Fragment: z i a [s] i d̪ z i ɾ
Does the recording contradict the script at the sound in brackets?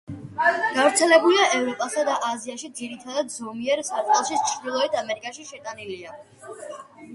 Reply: yes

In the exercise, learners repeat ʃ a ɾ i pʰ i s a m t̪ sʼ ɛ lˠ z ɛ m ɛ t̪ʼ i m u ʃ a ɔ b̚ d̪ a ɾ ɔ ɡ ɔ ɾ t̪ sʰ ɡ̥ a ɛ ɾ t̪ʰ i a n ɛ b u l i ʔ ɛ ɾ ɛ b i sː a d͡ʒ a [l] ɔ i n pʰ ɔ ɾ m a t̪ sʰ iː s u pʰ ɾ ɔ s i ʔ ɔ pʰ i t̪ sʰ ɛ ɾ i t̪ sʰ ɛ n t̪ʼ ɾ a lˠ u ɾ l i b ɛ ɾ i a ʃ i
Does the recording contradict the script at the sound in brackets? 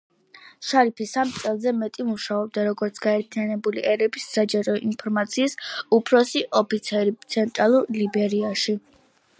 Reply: yes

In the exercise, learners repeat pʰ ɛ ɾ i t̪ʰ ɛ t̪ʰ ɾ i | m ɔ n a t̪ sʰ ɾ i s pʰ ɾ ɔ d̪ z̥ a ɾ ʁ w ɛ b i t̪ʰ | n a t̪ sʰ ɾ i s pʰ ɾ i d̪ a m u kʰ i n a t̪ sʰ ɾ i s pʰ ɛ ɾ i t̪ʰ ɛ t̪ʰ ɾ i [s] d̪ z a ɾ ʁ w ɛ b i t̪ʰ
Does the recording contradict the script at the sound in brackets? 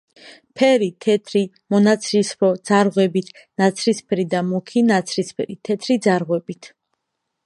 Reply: yes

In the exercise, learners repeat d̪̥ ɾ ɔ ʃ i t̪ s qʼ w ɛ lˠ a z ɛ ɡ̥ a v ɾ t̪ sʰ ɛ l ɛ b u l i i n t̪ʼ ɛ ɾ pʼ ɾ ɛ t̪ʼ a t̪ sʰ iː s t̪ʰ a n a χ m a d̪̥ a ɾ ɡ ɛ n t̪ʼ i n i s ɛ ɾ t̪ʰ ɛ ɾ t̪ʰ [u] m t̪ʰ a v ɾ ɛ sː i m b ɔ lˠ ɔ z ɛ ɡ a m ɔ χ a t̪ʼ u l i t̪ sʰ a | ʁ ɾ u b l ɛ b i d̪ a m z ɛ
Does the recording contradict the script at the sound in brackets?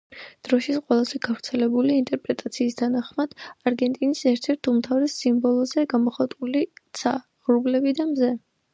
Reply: no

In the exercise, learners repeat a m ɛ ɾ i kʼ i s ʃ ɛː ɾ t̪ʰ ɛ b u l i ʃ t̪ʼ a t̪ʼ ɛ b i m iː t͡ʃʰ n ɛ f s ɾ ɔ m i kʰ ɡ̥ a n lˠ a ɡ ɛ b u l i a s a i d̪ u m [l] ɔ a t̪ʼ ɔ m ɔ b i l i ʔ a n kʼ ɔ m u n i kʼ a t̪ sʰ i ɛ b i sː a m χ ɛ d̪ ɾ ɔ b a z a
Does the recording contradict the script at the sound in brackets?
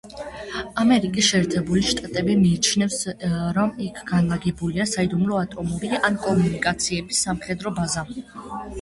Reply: no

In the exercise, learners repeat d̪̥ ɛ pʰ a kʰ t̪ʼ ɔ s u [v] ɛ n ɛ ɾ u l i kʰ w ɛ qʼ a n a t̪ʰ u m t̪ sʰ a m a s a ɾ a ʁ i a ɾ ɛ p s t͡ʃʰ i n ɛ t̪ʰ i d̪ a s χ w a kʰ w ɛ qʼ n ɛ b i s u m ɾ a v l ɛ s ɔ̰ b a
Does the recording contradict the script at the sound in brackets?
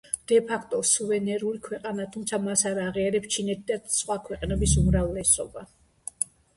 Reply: no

